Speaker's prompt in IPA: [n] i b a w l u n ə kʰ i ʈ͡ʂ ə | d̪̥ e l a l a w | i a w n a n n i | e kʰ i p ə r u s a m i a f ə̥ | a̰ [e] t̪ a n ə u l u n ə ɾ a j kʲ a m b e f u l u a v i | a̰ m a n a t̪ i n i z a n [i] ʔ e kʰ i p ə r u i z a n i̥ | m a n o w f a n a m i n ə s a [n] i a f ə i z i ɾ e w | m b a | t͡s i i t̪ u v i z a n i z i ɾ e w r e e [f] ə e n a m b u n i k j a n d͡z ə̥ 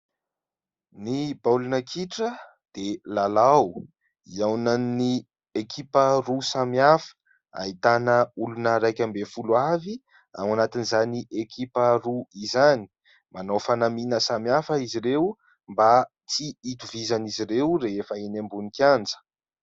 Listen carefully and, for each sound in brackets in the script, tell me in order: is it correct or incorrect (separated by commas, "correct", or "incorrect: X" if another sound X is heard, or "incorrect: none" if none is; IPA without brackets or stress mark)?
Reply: correct, incorrect: i, correct, incorrect: m, correct